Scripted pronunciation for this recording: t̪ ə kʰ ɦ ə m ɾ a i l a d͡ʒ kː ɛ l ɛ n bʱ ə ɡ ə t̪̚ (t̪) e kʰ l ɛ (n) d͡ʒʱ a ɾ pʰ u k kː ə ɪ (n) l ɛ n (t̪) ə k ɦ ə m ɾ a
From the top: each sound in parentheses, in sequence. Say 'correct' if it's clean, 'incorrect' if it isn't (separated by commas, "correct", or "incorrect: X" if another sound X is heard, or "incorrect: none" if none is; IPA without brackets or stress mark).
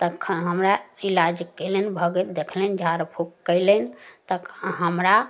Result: incorrect: d̪, correct, incorrect: none, correct